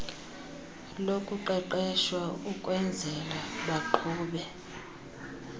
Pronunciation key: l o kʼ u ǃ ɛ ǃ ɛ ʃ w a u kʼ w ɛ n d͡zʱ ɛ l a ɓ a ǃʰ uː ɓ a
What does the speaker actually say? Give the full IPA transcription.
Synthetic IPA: l o kʼ u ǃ ɛ ǃ ɛ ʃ w a u kʼ w ɛ n d͡zʱ ɛ l a ɓ a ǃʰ uː ɓ ɛ

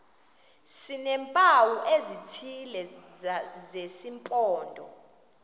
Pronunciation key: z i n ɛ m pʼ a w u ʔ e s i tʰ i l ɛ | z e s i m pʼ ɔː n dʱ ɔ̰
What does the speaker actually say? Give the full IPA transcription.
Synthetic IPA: s i n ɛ m pʼ a w u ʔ e z i tʰ i l ɛ | z e s i m pʼ ɔː n dʱ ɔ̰

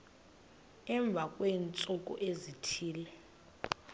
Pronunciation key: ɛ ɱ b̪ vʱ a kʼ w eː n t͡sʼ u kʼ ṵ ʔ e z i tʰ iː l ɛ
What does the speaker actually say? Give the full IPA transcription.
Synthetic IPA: ɛ ɱ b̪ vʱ a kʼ w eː n t͡sʼ u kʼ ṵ ʔ e z i tʰ iː l ɛ

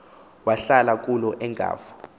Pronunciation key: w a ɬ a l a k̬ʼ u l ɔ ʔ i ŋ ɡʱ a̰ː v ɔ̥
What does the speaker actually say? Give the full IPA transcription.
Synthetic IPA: w a ɬ a l a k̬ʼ u l ɔ ʔ ɛ ŋ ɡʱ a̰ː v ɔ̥

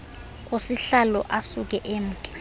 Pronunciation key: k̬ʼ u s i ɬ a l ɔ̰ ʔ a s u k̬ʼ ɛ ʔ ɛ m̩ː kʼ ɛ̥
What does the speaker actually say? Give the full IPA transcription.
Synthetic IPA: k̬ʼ o s i ɬ a l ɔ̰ ʔ a s u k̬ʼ ɛ ʔ e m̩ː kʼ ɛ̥

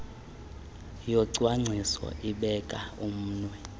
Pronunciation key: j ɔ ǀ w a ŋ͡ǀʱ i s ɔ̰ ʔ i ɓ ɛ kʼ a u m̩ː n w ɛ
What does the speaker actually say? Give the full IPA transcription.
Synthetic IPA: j ɔ ǀ w a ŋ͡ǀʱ i s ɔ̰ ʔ i ɓ ɛ kʼ a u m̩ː n w ɛ

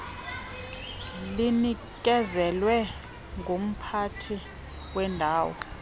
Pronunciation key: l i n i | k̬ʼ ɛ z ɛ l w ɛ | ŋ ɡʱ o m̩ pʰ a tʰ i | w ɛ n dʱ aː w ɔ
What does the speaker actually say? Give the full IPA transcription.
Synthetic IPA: l i n i | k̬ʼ ɛ z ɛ l w ɛ | ŋ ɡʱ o m̩ pʰ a tʰ i | w ɛ n dʱ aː w ɔ

